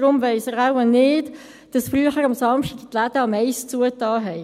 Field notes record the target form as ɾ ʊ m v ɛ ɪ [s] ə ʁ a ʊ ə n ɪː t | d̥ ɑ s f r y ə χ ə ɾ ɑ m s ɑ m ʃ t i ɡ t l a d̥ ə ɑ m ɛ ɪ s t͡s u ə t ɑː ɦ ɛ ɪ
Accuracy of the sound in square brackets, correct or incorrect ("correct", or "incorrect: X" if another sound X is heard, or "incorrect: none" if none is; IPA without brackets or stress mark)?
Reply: correct